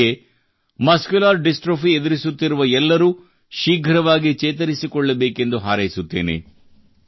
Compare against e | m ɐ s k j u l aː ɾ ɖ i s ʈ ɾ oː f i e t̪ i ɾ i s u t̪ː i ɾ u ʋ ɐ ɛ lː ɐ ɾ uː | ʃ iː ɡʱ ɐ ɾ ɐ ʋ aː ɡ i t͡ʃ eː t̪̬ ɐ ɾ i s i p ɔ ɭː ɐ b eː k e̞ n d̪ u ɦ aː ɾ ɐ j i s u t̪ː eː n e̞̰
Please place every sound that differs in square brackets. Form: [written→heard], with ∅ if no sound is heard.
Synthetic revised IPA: e | m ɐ s k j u l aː ɾ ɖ i s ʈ ɾ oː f i e [t̪→d̪] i ɾ i s u t̪ː i ɾ u ʋ ɐ ɛ lː ɐ ɾ uː | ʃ iː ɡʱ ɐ ɾ ɐ ʋ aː ɡ i t͡ʃ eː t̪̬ ɐ ɾ i s i [p→k] ɔ ɭː ɐ b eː k e̞ n d̪ u ɦ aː ɾ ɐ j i s u t̪ː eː n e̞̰